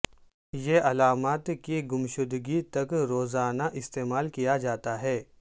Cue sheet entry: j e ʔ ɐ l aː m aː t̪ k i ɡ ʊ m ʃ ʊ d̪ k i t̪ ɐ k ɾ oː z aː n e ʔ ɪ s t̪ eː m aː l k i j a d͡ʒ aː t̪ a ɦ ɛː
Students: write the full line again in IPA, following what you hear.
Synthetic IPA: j e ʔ ɐ l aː m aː t̪ k i ɡ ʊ m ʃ ʊ d̪ ɡ i t̪ ɐ k ɾ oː z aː n a ʔ ɪ s t̪ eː m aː l k i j a d͡ʒ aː t̪ a ɦ ɛː